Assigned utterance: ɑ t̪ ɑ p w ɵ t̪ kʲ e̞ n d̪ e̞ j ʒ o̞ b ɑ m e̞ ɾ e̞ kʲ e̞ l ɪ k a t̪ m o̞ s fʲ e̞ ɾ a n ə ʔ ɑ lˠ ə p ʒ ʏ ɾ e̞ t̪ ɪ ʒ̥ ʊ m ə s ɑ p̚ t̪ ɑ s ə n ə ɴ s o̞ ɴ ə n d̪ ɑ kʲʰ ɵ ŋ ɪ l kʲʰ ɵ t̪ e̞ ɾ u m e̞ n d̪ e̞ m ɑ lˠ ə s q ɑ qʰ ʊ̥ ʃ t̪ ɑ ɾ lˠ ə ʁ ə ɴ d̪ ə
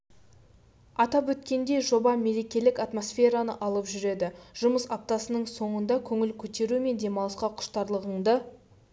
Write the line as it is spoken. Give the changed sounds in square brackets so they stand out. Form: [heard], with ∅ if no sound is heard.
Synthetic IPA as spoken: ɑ t̪ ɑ p w ɵ t̪ kʲ e̞ n d̪ e̞ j ʒ o̞ b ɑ m e̞ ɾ e̞ kʲ e̞ l ɪ k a t̪ m o̞ s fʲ e̞ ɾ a n ə ʔ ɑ lˠ ə p ʒ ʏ ɾ e̞ [d̪] ɪ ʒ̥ ʊ m ə s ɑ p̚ t̪ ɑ s ə n ə ɴ s o̞ ɴ ə n d̪ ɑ kʲʰ ɵ ŋ ɪ l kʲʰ ɵ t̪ e̞ ɾ u m e̞ n d̪ e̞ m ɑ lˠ ə s q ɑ qʰ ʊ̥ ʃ t̪ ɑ ɾ lˠ ə ʁ ə ɴ d̪ ə

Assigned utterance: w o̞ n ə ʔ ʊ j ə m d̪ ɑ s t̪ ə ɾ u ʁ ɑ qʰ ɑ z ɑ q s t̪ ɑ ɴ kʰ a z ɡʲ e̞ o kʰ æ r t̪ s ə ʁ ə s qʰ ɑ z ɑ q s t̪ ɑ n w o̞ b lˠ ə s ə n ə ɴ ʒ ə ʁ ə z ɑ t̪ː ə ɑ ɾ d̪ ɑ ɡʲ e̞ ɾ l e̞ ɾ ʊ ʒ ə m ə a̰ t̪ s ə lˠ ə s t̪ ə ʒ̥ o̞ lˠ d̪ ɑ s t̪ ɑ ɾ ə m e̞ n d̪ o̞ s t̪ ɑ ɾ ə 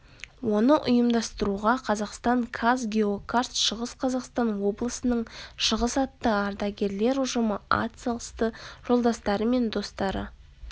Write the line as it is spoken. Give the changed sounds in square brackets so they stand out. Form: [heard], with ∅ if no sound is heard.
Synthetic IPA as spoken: w o̞ n ə ʔ ʊ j ə m d̪ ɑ s t̪ ə ɾ u ʁ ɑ qʰ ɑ z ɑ q s t̪ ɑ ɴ kʰ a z ɡʲ e̞ o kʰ [a] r t̪ [ʃ] ə ʁ ə s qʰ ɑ z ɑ q s t̪ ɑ n w o̞ b lˠ ə s ə n ə ɴ [ʃ] ə ʁ ə [s] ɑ t̪ː ə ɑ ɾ d̪ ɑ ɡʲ e̞ ɾ l e̞ ɾ ʊ ʒ ə m ə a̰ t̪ s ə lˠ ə s t̪ ə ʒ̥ o̞ lˠ d̪ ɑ s t̪ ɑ ɾ ə m e̞ n d̪ o̞ s t̪ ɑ ɾ ə

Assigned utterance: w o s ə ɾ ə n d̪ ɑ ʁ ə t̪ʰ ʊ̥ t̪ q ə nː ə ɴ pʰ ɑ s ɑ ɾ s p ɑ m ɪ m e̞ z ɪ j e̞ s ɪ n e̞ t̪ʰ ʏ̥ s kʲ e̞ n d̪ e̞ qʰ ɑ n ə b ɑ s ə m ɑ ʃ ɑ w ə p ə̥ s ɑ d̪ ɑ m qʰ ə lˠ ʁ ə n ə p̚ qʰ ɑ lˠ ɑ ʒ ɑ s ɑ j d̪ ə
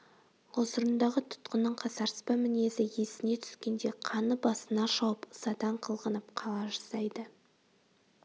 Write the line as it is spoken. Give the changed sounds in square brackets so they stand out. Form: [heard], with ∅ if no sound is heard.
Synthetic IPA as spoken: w o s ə ɾ ə n d̪ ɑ ʁ ə t̪ʰ ʊ̥ t̪ q ə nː ə ɴ [qʰ] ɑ s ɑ ɾ s p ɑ m ɪ [n] e̞ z ɪ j e̞ s ɪ n e̞ t̪ʰ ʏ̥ s kʲ e̞ n d̪ e̞ qʰ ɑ n ə b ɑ s ə [n] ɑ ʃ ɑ w ə p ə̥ s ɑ d̪ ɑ [ɴ] qʰ ə lˠ ʁ ə n ə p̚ qʰ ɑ lˠ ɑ ʒ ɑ s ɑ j d̪ ə

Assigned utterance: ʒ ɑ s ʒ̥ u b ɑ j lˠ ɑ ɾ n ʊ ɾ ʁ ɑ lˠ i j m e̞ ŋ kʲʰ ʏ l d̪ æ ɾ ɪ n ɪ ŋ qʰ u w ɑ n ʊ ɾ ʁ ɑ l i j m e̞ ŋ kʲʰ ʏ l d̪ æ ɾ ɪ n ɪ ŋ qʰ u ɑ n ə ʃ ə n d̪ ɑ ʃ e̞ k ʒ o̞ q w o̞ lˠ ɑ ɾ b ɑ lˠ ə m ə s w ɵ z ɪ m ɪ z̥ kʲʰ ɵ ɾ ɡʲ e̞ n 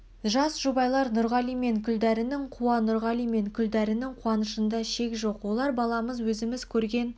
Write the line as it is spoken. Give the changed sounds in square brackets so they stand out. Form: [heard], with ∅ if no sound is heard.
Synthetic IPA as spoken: ʒ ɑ s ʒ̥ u b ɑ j lˠ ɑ ɾ n ʊ ɾ ʁ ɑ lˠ i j m e̞ ŋ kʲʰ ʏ l d̪ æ ɾ ɪ n ɪ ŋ qʰ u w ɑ n ʊ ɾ ʁ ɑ l i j m e̞ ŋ kʲʰ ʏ l d̪ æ ɾ ɪ n ɪ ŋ qʰ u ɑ n ə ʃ ə n d̪ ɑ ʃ e̞ k ʒ o̞ q w o̞ lˠ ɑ ɾ b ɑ lˠ [ɑ] m ə [z] w ɵ z ɪ m ɪ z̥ kʲʰ ɵ ɾ ɡʲ e̞ n

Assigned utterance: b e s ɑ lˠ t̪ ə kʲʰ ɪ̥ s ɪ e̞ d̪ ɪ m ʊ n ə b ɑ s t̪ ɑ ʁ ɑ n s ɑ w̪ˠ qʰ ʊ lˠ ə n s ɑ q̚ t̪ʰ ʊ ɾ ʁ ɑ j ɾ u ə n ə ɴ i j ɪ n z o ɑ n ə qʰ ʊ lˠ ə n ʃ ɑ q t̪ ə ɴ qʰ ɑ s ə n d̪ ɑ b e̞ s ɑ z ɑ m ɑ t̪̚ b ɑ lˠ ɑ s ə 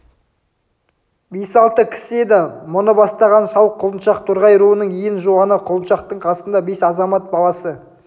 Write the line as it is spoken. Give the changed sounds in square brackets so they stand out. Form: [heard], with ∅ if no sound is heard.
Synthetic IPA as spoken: b e s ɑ lˠ t̪ ə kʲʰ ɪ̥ s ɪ e̞ d̪ ɪ m ʊ n ə b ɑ s t̪ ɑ ʁ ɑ n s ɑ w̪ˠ qʰ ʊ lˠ ə n [ʃ] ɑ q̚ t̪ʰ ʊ ɾ ʁ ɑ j ɾ u ə n ə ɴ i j ɪ n [ʒ] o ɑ n ə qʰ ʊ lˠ ə n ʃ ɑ q t̪ ə ɴ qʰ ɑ s ə n d̪ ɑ b e̞ s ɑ z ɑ m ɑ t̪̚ b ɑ lˠ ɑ s ə

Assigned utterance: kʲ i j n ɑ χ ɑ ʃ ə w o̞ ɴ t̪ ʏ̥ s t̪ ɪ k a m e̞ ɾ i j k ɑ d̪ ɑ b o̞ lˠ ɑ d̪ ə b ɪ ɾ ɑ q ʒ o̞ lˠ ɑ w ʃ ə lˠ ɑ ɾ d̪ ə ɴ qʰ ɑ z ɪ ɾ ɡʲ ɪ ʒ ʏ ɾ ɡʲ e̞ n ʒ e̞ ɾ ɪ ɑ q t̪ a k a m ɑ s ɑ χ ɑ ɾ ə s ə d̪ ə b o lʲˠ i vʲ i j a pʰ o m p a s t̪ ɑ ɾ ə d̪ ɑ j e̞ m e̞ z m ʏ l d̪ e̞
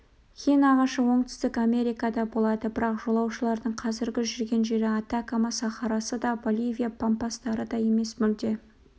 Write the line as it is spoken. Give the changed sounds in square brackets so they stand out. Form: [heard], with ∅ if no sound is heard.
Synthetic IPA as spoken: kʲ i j n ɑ [ʁ] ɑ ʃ ə w o̞ ɴ t̪ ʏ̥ s t̪ ɪ k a m e̞ ɾ i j k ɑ d̪ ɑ b o̞ lˠ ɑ d̪ ə b ɪ ɾ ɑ q ʒ o̞ lˠ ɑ w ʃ ə lˠ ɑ ɾ d̪ ə ɴ qʰ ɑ z ɪ ɾ ɡʲ ɪ ʒ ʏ ɾ ɡʲ e̞ n ʒ e̞ ɾ ɪ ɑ [∅] t̪ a k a m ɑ s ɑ χ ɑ ɾ [ɑ] s ə d̪ [ɑ] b o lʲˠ i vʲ i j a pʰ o m p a s t̪ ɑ ɾ ə d̪ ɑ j e̞ m e̞ [s] m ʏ l d̪ e̞

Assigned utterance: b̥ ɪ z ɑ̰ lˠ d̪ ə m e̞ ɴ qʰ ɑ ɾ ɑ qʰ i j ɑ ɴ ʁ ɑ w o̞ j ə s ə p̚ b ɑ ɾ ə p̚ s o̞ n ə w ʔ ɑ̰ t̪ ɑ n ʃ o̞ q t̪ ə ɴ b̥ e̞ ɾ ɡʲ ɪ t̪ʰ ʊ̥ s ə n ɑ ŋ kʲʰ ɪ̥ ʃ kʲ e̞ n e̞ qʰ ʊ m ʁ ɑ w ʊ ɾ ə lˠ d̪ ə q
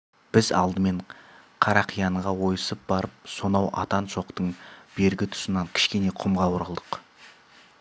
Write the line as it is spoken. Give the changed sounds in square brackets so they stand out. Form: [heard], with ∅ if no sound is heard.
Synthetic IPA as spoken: b̥ ɪ z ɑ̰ lˠ d̪ ə m e̞ ɴ qʰ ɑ ɾ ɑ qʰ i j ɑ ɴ ʁ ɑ w o̞ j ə s ə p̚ b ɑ ɾ ə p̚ s o̞ n [ɑ] w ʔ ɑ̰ t̪ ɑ n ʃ o̞ q t̪ ə ɴ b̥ e̞ ɾ ɡʲ ɪ t̪ʰ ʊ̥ s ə n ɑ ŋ kʲʰ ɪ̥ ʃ kʲ e̞ n e̞ qʰ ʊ m ʁ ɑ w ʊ ɾ ə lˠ d̪ ə q

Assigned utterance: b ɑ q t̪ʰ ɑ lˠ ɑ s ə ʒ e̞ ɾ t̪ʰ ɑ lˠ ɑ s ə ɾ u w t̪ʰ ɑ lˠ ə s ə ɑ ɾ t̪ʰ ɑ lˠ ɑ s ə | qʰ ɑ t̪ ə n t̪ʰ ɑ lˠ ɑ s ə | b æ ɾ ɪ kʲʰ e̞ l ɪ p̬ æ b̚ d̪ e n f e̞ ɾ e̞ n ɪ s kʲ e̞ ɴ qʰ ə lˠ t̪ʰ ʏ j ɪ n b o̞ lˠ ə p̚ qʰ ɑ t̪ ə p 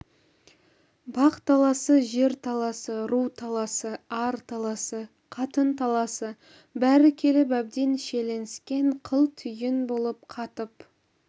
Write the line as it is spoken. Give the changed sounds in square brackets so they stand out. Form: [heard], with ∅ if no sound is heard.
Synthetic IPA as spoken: b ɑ q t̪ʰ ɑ lˠ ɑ s ə ʒ e̞ ɾ t̪ʰ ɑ lˠ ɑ s ə ɾ u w t̪ʰ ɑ lˠ [ɑ] s ə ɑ ɾ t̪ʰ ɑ lˠ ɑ s ə | qʰ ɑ t̪ ə n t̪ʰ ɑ lˠ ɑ s ə | b æ ɾ ɪ kʲʰ e̞ l ɪ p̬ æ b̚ d̪ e n [ʃ] e̞ [l] e̞ n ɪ s kʲ e̞ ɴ qʰ ə lˠ t̪ʰ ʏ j ɪ n b o̞ lˠ ə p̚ qʰ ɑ t̪ ə p

